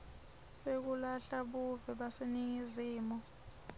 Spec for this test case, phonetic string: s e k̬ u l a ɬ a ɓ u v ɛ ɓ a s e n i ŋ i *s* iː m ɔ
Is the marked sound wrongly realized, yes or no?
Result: yes